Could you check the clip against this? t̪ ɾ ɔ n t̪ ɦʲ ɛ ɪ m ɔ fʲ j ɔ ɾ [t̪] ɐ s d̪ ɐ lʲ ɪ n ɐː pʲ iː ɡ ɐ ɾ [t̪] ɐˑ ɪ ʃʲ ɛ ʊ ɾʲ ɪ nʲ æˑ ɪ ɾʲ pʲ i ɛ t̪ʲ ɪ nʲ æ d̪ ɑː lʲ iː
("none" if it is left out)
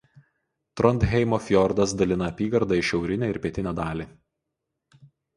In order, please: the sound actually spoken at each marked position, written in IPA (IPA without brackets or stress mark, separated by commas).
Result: d̪, d̪